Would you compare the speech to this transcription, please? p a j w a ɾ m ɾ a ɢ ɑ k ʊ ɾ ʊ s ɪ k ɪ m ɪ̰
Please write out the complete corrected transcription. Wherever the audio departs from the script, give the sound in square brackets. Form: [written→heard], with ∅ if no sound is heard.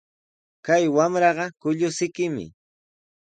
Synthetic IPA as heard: [p→k] a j w a [ɾ→∅] m ɾ [a→ɑ] ɢ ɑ k ʊ [ɾ→ʎ] ʊ s ɪ k ɪ m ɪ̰

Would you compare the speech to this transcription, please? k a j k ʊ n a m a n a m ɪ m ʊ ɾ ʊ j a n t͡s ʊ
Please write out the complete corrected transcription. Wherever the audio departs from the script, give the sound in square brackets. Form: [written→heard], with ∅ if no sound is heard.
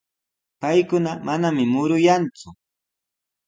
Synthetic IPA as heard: [k→p] a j k ʊ n a m a n a m ɪ m ʊ ɾ ʊ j a n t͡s ʊ

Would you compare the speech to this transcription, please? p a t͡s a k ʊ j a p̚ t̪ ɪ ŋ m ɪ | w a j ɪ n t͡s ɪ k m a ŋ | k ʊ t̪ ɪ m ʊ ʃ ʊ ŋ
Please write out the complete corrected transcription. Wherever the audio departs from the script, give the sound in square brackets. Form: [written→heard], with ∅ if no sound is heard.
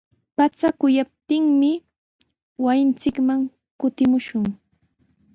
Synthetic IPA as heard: p a t͡s a k ʊ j a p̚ t̪ ɪ ŋ m ɪ | w a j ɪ n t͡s ɪ k m a ŋ | k ʊ t̪ ɪ m ʊ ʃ ʊ ŋ

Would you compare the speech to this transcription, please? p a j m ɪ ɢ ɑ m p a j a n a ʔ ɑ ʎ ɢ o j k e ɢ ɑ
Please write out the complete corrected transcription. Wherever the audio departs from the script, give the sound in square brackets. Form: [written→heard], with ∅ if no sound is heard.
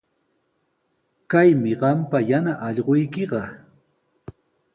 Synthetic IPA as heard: [p→k] a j m ɪ ɢ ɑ m p a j a n a ʔ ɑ ʎ ɢ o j k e ɢ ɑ

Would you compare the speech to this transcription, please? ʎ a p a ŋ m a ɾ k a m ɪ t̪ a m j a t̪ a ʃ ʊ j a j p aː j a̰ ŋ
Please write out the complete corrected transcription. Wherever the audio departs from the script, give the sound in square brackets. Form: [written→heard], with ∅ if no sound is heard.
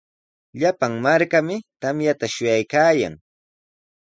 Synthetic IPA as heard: ʎ a p a ŋ m a ɾ k a m ɪ t̪ a m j a t̪ a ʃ ʊ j a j [p→k] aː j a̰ ŋ

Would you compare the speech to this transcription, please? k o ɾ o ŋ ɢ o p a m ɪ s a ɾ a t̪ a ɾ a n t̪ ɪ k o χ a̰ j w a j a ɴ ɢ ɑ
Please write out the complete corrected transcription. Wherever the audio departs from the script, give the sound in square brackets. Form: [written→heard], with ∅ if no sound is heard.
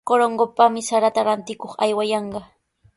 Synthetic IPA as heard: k o ɾ o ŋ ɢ o p a m ɪ s a ɾ a t̪ a ɾ a n t̪ ɪ k o χ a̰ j w a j [a→ɑ] ɴ ɢ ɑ

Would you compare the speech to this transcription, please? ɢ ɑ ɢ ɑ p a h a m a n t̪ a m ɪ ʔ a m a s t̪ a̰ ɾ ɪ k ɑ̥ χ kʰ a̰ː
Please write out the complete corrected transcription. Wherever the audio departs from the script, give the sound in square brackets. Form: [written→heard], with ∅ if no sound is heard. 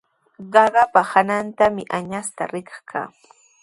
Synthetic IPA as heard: ɢ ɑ ɢ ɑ p a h a [m→n] a n t̪ a m ɪ ʔ a [m→ɲ] a s t̪ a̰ ɾ ɪ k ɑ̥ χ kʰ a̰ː

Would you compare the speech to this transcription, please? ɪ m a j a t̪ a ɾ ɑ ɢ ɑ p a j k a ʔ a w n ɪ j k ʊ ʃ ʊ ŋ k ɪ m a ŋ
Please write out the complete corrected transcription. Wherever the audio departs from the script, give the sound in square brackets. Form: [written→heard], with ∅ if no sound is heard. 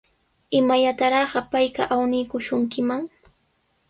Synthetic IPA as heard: ɪ m a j a t̪ a ɾ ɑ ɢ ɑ p a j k a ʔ a w n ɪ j k ʊ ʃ ʊ ŋ k ɪ m a ŋ

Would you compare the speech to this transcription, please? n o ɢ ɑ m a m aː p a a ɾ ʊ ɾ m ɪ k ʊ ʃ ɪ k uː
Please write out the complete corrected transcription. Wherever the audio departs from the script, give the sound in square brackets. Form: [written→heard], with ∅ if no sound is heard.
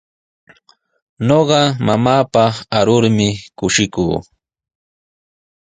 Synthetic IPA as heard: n o ɢ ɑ m a m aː p a a ɾ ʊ ɾ m ɪ k ʊ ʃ ɪ k uː

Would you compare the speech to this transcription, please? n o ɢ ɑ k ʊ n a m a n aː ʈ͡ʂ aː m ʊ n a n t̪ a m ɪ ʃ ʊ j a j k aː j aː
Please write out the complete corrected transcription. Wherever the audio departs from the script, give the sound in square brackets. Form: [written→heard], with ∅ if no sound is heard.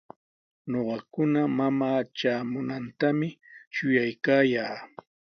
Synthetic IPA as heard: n o ɢ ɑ k ʊ n a m a [n→m] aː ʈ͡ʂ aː m ʊ n a n t̪ a m ɪ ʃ ʊ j a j k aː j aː

